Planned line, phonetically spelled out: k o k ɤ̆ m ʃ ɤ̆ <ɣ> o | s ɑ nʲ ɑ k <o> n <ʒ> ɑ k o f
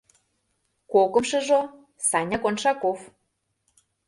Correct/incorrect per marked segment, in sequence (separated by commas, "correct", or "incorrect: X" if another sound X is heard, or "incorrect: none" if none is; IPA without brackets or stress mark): incorrect: ʒ, correct, incorrect: ʃ